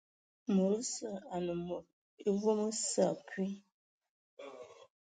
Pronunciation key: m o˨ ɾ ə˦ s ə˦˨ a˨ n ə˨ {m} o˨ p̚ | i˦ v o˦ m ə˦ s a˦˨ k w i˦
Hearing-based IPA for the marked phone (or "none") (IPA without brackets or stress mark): m